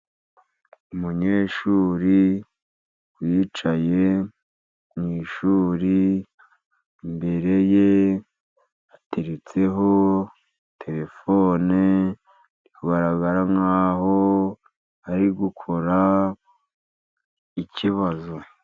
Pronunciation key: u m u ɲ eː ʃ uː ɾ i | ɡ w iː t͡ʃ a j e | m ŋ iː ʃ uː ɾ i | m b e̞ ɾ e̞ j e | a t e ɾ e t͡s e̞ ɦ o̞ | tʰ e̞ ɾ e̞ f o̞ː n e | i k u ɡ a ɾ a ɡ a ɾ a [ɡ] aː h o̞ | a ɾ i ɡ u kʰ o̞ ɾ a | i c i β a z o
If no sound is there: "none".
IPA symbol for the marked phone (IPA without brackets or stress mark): ŋ